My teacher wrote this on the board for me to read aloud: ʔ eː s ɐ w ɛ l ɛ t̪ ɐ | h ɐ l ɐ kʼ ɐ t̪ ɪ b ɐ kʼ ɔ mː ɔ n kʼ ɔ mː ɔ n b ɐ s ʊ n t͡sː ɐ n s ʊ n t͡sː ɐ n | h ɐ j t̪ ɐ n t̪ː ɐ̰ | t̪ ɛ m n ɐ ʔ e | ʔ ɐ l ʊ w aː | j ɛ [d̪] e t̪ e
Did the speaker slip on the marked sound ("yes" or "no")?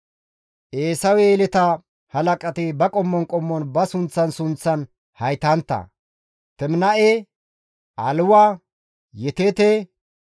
yes